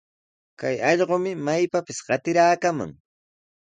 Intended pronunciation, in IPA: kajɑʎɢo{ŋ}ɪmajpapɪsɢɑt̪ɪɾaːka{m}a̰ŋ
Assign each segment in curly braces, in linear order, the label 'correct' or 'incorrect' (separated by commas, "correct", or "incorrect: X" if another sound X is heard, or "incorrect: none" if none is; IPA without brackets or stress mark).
incorrect: m, correct